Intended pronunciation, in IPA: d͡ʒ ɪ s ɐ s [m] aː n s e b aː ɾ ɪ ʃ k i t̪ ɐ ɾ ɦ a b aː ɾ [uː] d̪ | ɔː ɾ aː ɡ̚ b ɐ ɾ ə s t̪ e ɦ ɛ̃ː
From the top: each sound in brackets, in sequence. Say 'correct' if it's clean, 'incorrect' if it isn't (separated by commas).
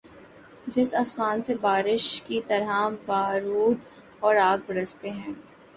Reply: correct, correct